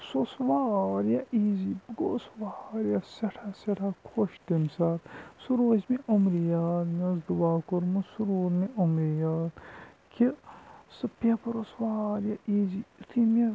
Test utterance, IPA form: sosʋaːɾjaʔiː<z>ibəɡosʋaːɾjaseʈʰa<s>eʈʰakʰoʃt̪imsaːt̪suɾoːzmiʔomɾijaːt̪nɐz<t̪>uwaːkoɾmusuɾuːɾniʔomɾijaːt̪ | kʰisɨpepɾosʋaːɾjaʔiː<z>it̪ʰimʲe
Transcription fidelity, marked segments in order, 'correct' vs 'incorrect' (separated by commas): correct, correct, incorrect, correct